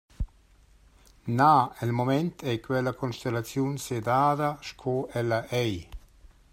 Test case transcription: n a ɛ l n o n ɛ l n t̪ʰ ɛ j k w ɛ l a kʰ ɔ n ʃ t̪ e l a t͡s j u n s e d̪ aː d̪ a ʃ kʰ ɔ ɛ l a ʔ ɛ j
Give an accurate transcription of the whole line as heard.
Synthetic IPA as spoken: n a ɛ l m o m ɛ n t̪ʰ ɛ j k w ɛ l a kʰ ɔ n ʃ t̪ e l a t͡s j u n s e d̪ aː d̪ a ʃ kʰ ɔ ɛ l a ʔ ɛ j

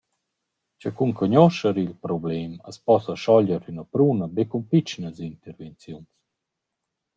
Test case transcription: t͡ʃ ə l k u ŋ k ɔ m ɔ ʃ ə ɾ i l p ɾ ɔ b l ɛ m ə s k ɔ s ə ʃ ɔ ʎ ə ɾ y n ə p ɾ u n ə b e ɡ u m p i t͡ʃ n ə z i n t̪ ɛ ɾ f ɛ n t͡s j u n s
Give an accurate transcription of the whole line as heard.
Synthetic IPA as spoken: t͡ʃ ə k u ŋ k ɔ ɲ ɔ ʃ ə ɾ i l p ɾ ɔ b l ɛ m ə s p ɔ s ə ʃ ɔ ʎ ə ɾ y n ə p ɾ u n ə b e k u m p i t͡ʃ n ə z i n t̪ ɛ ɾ v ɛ n t͡s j u n s

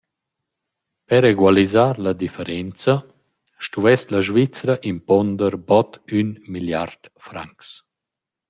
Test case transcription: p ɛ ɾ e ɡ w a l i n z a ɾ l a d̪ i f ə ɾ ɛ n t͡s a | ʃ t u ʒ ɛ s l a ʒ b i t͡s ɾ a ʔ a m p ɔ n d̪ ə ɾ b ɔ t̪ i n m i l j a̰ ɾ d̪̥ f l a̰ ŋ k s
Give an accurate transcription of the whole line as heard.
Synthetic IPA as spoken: p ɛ ɾ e ɡ w a l i z a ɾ l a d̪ i f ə ɾ ɛ n t͡s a | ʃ t u v ɛ s l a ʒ v i t͡s ɾ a ʔ i m p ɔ n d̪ ə ɾ b ɔ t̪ y n m i l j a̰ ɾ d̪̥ f ɾ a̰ ŋ k s

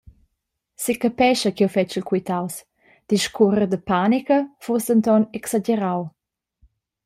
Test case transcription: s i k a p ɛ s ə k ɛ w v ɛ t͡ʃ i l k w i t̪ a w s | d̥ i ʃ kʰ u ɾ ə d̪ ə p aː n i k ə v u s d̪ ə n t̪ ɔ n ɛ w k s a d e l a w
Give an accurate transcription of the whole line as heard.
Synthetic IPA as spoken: s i k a p ɛ ʃ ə k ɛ w f ɛ t͡ʃ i l k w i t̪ a w s | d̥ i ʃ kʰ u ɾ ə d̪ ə p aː n i k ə f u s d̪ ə n t̪ ɔ n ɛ k s a d͡ʒ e ɾ a w

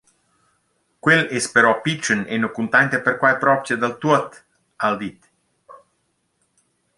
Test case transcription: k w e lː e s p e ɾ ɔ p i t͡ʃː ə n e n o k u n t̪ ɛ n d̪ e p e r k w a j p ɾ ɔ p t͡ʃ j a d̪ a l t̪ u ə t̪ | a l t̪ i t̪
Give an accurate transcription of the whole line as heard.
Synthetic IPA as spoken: k w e l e s p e ɾ ɔ p i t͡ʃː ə n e n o k u n t̪ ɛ n t̪ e p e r k w a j p ɾ ɔ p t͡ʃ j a d̪ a l t̪ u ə t̪ | a l d̪ i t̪

